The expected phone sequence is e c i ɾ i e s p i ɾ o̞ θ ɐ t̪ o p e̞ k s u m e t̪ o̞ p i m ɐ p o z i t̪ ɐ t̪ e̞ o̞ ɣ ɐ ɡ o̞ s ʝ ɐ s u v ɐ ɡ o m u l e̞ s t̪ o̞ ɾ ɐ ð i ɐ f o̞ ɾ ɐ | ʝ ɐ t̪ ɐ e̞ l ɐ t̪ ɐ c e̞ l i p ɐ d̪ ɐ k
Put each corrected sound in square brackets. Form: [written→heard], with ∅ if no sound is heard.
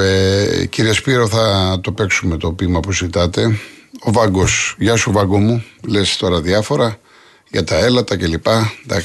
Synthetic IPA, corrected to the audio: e c i ɾ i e s p i ɾ o̞ θ ɐ t̪ o p e̞ k s u m e t̪ o̞ p i m ɐ p [o→u] z i t̪ ɐ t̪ e̞ o̞ [ɣ→v] ɐ ɡ o̞ s ʝ ɐ s u v ɐ ɡ o m u l e̞ s t̪ o̞ ɾ ɐ ð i ɐ f o̞ ɾ ɐ | ʝ ɐ t̪ ɐ e̞ l ɐ t̪ ɐ c e̞ l i p ɐ d̪ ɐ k